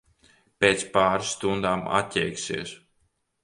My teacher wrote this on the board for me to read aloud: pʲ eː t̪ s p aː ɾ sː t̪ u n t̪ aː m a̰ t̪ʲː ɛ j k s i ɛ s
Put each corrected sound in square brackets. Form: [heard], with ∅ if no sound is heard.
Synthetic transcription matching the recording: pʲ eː t̪ s p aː ɾ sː t̪ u n [d̪] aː m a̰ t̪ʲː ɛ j k s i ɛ s